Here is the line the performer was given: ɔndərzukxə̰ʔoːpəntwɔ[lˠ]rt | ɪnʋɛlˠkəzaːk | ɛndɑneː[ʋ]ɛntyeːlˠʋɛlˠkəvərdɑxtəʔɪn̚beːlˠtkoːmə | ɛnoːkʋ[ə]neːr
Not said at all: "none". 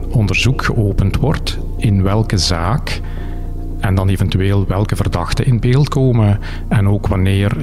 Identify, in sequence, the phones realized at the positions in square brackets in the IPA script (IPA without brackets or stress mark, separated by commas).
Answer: none, v, ɑ